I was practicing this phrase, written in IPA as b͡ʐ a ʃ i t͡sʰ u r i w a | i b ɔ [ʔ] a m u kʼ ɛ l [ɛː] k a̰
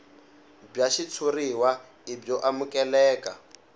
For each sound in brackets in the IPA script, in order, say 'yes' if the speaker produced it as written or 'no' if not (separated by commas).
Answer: yes, yes